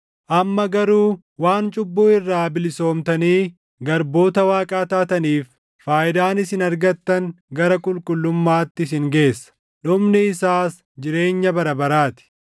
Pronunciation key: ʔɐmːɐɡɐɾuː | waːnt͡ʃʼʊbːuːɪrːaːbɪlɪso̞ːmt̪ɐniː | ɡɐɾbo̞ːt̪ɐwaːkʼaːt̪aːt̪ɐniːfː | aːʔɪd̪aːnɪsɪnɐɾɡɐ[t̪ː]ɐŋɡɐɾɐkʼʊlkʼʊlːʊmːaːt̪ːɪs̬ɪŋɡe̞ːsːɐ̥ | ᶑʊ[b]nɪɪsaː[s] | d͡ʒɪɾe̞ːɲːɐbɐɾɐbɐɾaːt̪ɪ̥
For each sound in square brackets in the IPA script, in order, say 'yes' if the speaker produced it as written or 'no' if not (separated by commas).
yes, no, yes